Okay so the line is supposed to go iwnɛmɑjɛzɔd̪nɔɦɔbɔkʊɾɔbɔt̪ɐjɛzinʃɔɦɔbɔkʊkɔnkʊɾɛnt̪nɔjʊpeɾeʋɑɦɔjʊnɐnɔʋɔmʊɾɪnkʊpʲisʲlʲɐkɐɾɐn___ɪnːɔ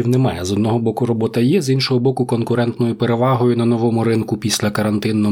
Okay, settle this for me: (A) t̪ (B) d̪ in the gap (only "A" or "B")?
A